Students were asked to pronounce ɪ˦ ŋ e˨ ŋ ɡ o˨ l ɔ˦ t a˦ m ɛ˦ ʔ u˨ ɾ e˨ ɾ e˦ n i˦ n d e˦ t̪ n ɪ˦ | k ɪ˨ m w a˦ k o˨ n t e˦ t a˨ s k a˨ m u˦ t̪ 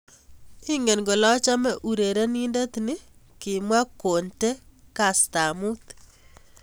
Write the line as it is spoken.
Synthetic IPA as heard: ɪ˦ ŋ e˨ n ɡ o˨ l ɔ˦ t͡ʃ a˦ m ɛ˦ ʔ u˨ ɾ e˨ ɾ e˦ n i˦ n d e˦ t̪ n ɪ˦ | k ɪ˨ m w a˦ k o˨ n t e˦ k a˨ s t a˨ m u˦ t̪

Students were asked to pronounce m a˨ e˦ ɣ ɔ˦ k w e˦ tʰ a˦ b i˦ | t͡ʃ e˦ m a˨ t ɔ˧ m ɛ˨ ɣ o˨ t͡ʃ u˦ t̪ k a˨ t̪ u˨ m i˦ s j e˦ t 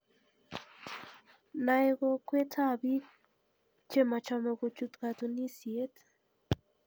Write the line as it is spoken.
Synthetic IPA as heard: n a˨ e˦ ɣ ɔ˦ k w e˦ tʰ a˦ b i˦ | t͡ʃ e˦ m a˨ t͡ʃ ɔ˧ m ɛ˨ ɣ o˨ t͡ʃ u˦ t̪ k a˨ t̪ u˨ n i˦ s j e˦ t

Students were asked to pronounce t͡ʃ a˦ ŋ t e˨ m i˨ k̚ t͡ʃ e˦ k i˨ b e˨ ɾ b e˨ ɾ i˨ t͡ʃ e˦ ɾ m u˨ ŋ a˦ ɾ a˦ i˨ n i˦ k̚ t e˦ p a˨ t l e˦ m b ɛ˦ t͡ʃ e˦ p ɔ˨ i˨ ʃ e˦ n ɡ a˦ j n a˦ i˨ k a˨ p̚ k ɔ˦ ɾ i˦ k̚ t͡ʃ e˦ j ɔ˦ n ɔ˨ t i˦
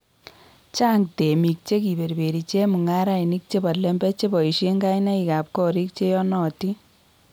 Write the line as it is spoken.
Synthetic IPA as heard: t͡ʃ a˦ ŋ t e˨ m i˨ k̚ t͡ʃ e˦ k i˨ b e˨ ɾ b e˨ ɾ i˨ t͡ʃ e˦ m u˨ ŋ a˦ ɾ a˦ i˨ n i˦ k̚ t͡ʃ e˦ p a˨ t l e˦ m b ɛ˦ t͡ʃ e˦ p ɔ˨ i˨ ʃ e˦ ŋ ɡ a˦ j n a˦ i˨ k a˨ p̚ k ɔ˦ ɾ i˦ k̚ t͡ʃ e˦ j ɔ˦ n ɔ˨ t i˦

